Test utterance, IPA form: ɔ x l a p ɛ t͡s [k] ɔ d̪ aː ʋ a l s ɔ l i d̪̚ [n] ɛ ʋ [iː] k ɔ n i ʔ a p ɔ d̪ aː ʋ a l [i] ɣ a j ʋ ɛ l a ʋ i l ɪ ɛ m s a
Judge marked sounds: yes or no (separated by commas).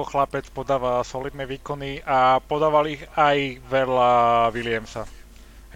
no, yes, yes, yes